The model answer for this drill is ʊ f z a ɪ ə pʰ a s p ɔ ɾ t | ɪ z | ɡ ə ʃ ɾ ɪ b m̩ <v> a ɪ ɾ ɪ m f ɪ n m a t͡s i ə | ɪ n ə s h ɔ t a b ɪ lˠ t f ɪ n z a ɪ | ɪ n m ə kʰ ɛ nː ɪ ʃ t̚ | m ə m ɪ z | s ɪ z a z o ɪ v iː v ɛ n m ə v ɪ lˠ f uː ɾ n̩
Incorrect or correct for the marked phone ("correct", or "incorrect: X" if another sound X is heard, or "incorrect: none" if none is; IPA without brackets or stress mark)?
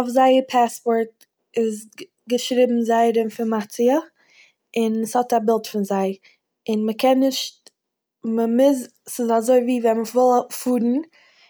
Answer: incorrect: z